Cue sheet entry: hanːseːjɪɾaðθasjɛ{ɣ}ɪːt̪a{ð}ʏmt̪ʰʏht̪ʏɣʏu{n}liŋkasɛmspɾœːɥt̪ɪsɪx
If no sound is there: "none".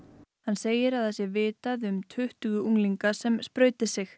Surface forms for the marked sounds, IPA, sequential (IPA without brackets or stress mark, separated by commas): v, ð, ŋ